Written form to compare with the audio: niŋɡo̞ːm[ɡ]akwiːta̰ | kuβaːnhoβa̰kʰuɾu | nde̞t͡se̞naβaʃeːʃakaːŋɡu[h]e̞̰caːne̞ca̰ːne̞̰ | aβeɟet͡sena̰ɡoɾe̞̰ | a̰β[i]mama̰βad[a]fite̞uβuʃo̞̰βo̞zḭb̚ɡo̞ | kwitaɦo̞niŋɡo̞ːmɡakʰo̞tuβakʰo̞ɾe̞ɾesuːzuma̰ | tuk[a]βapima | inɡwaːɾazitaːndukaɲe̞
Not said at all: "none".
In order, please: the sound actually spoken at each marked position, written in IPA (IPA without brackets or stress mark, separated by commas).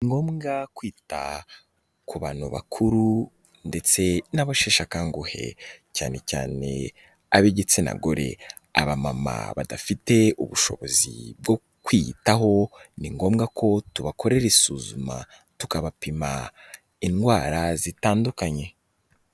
ɡ, h, a, a, a